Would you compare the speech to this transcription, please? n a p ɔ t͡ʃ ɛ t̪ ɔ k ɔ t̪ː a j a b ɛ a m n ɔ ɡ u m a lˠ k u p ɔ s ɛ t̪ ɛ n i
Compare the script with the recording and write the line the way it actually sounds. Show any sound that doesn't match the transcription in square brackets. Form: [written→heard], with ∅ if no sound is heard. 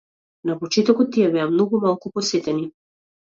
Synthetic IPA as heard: n a p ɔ t͡ʃ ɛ t̪ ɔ k ɔ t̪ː [a→i] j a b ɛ a m n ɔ ɡ u m a lˠ k u p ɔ s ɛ t̪ ɛ n i